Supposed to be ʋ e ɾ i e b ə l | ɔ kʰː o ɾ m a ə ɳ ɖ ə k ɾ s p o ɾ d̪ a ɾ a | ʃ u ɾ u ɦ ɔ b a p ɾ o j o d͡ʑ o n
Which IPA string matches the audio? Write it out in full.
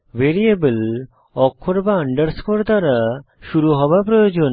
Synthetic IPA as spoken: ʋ e ɾ i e b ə l | ɔ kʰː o ɾ b a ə ɳ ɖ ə ɾ s k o ɾ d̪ a ɾ a | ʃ u ɾ u ɦ ɔ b a p ɾ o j o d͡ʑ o n